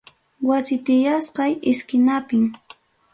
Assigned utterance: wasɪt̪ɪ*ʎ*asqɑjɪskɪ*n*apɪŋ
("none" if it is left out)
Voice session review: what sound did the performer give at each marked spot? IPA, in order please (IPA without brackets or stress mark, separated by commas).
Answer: j, n